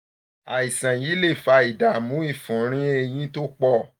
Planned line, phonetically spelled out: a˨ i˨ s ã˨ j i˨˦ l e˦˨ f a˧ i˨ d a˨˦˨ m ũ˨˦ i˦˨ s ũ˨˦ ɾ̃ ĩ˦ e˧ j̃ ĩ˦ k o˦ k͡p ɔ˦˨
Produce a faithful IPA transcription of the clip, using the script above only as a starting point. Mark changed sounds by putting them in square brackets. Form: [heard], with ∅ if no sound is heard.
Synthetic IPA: a˨ i˨ s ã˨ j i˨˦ l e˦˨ f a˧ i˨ d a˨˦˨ m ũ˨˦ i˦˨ [f] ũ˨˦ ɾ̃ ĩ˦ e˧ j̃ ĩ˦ [t] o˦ k͡p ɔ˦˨